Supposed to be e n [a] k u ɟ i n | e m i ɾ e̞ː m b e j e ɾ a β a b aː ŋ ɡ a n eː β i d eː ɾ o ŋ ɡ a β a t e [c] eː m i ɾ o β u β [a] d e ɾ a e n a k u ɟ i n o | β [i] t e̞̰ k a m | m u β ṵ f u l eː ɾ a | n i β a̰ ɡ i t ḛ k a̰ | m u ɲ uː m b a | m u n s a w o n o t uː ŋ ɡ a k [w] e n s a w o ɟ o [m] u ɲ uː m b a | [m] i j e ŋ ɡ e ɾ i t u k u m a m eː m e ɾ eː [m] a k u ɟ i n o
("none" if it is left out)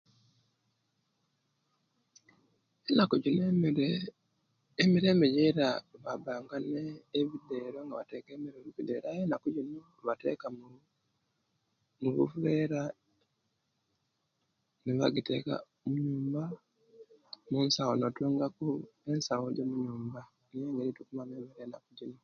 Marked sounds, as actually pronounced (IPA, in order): a, k, i, a, u, m, n, n

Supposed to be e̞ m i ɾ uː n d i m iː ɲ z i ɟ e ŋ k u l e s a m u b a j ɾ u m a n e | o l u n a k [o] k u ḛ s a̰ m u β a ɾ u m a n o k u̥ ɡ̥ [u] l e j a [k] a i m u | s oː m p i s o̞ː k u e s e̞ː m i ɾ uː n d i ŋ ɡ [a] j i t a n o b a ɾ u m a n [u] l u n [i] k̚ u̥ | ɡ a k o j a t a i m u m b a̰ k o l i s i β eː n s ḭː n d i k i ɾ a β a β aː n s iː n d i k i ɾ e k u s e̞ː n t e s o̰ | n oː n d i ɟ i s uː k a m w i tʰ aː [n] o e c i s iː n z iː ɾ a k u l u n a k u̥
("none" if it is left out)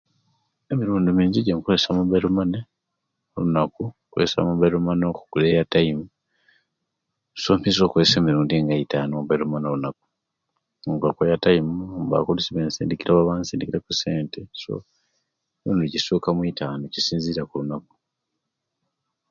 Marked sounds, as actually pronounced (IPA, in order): u, u, t, a, o, a, n

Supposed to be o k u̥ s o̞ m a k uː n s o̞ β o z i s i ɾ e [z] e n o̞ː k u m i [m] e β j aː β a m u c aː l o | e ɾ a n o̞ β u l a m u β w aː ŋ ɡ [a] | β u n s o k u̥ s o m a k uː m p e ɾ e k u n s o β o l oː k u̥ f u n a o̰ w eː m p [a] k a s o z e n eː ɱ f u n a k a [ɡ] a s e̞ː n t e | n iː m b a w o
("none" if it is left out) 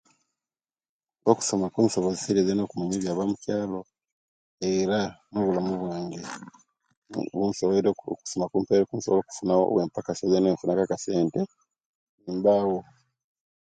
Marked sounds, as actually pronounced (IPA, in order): z, ɲ, e, a, k

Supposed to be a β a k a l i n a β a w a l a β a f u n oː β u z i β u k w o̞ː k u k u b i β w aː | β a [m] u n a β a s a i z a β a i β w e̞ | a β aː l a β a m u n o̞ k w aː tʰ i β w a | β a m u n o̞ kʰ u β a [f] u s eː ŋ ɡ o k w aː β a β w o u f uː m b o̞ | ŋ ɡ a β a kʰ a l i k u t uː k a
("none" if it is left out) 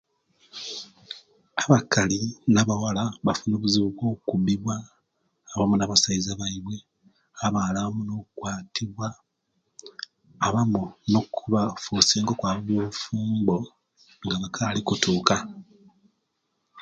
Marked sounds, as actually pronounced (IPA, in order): m, f

